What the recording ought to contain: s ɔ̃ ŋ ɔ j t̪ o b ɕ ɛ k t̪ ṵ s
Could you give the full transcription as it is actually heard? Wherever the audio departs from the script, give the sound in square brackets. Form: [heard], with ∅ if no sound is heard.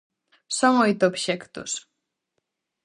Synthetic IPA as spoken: s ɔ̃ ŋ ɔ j t̪ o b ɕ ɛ k t̪ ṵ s